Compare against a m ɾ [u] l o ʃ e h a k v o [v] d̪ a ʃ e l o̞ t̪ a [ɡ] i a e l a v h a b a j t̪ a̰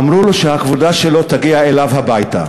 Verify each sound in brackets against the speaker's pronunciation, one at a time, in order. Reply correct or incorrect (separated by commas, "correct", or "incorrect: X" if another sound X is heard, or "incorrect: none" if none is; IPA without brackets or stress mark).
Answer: correct, incorrect: none, correct